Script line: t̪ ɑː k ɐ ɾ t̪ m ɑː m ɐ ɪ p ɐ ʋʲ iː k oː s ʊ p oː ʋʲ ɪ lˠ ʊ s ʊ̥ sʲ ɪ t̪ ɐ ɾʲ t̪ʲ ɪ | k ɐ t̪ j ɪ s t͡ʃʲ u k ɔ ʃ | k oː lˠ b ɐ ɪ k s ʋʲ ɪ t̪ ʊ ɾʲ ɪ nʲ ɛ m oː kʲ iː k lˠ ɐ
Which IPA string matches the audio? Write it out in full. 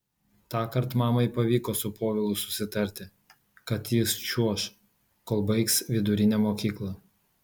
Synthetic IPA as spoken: t̪ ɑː k ɐ ɾ t̪ m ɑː m ɐ ɪ p ɐ ʋʲ iː k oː s ʊ p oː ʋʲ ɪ lˠ ʊ s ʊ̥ sʲ ɪ t̪ ɐ ɾʲ t̪ʲ ɪ | k ɐ t̪ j ɪ s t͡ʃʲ u ɔ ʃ | k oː lˠ b ɐ ɪ k s ʋʲ ɪ d̪ ʊ ɾʲ ɪ nʲ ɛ m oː kʲ iː k lˠ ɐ